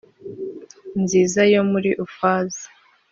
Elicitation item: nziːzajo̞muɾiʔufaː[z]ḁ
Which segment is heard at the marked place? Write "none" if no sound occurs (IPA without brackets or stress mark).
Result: z